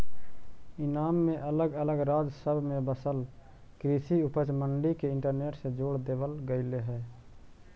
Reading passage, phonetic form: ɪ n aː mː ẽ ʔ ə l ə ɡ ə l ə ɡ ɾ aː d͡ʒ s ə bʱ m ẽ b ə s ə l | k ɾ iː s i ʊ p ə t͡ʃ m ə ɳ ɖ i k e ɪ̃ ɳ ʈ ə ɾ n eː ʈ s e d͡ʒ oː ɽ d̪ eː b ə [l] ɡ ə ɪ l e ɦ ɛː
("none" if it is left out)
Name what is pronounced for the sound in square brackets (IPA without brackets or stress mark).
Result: l